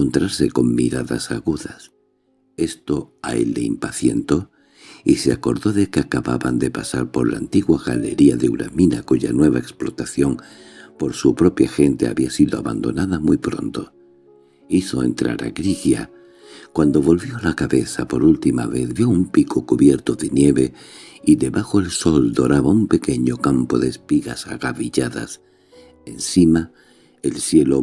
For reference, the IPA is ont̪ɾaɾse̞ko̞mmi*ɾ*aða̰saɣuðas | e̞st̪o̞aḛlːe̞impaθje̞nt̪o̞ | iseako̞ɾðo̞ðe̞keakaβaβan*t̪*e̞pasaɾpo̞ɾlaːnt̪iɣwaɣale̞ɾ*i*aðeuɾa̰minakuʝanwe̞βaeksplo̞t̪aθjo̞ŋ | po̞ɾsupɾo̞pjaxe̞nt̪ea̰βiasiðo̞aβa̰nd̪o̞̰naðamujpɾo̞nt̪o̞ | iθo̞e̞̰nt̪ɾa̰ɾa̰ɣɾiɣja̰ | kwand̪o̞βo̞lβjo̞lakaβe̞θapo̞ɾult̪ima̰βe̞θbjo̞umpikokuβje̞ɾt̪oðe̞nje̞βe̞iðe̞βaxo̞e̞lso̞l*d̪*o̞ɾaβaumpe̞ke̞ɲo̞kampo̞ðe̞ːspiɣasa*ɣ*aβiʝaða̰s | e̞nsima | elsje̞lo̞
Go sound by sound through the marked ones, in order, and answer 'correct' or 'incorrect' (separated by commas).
correct, incorrect, correct, correct, correct